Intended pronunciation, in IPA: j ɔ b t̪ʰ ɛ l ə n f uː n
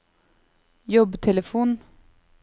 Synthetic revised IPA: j ɔ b t̪ʰ ɛ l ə f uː n